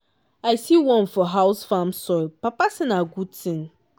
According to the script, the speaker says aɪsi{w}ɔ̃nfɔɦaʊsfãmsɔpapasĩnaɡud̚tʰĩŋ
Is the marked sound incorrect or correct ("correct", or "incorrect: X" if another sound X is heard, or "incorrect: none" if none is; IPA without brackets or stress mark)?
correct